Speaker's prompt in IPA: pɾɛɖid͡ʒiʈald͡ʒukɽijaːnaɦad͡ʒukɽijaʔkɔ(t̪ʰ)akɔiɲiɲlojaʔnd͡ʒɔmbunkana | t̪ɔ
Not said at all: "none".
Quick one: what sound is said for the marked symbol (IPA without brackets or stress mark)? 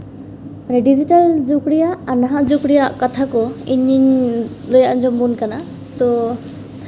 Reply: t̪ʰ